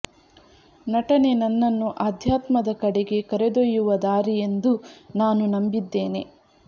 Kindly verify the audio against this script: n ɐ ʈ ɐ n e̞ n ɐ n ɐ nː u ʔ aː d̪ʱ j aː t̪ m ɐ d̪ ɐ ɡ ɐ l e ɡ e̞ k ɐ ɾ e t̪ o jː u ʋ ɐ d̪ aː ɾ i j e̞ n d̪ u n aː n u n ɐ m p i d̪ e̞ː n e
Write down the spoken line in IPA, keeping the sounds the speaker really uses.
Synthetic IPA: n ɐ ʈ ɐ n e̞ n ɐ nː ɐ nː u ʔ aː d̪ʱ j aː t̪ m ɐ d̪ ɐ k ɐ ɽ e ɡ e̞ k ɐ ɾ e d̪ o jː u ʋ ɐ d̪ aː ɾ i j e̞ n d̪ u n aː n u n ɐ m b i d̪ː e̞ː n e